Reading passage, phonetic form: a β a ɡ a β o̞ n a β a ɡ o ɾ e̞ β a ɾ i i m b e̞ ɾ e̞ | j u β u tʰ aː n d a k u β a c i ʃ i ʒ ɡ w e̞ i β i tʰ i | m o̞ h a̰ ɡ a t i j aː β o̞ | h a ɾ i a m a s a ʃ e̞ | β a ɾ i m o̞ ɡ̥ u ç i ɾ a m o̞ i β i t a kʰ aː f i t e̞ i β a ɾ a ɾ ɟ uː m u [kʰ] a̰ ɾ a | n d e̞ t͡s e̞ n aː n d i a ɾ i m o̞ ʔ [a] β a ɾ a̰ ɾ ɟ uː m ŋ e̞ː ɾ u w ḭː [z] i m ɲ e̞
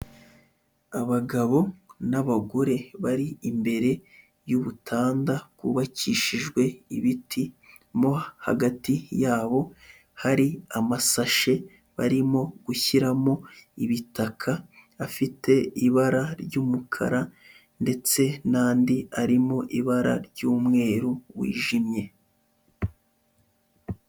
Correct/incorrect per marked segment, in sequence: correct, incorrect, incorrect

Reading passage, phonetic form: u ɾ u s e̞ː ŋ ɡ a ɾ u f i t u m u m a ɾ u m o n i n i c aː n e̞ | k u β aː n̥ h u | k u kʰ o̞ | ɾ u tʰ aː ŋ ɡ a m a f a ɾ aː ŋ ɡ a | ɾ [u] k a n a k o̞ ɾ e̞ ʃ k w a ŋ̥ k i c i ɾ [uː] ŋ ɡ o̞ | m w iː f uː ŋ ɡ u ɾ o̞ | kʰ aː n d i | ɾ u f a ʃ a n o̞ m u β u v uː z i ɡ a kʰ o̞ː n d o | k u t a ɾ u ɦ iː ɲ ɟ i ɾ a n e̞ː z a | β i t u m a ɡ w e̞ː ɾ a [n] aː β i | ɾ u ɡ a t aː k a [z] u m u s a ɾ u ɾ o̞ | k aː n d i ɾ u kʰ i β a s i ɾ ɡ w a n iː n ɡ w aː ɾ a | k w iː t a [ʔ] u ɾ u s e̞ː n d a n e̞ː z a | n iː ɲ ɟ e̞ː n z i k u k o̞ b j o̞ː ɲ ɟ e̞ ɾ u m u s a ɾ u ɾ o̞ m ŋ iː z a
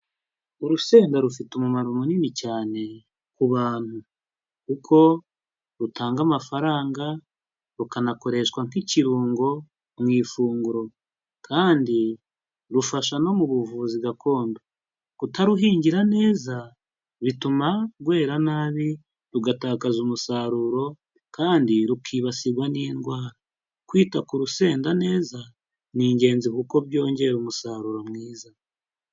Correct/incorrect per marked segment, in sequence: correct, correct, correct, correct, incorrect

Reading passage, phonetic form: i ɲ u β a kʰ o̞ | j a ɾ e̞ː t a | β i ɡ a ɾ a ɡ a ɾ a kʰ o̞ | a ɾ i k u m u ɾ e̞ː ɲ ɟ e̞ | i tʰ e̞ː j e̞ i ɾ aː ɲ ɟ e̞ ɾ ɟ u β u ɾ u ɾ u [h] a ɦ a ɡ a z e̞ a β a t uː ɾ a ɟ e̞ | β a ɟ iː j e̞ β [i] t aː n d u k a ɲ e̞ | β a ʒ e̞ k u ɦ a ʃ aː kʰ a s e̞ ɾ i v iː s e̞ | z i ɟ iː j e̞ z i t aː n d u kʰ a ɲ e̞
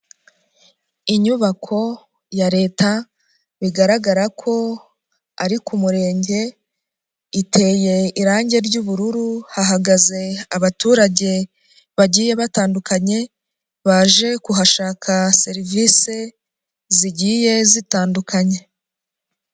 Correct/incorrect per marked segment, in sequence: correct, incorrect

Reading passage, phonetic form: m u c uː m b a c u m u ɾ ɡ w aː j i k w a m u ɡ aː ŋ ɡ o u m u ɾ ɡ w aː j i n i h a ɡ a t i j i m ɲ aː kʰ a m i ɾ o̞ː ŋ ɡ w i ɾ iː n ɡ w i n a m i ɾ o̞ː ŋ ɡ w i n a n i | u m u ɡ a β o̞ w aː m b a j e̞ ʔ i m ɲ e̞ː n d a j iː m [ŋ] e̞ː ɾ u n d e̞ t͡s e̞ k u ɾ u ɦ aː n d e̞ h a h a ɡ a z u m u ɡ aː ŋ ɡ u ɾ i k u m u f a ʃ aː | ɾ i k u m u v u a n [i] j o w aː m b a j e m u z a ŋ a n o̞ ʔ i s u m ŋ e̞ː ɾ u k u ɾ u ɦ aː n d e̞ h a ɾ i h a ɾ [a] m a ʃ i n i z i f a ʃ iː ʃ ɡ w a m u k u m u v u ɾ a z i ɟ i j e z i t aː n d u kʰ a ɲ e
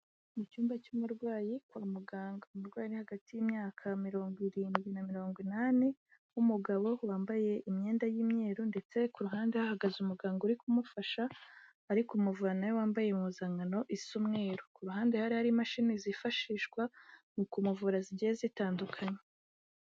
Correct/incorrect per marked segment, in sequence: incorrect, incorrect, incorrect

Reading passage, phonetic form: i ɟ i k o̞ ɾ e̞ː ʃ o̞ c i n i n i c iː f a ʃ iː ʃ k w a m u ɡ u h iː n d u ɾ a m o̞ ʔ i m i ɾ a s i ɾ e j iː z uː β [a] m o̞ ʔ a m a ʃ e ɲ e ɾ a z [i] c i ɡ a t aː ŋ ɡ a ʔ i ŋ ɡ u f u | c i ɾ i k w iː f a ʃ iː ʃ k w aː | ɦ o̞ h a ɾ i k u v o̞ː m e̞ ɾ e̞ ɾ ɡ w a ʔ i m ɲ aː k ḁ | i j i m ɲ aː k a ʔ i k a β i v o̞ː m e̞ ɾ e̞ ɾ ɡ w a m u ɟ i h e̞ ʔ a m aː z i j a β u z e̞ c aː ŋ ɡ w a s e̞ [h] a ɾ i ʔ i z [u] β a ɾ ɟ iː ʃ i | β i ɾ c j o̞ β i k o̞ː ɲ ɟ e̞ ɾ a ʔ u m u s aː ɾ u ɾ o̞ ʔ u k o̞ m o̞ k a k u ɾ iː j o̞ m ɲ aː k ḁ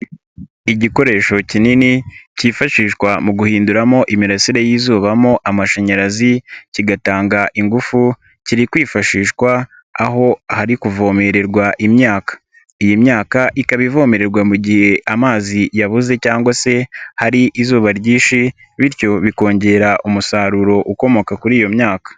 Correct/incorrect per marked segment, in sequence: correct, correct, correct, incorrect

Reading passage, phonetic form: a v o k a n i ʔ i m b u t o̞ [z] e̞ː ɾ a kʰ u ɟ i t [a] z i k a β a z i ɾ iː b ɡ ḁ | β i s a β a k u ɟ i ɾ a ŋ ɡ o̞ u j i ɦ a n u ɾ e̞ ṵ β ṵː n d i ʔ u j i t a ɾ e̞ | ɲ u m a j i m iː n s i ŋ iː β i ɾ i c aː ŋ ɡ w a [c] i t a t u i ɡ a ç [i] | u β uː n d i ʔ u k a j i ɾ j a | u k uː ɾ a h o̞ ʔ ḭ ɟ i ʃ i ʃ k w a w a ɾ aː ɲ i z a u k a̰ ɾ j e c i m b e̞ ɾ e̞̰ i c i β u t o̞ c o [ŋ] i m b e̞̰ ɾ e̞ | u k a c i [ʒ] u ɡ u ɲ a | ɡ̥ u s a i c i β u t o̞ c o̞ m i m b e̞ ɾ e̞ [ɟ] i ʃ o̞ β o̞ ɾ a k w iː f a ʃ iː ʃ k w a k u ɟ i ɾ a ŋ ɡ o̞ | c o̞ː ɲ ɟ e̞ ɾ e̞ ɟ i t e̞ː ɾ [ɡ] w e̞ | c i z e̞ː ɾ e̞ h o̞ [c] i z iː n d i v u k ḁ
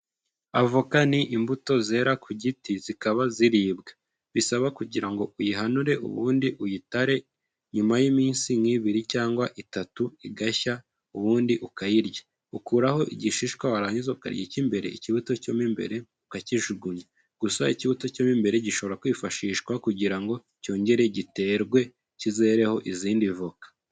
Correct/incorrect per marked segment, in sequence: correct, incorrect, incorrect, incorrect, incorrect, correct, correct, correct, incorrect

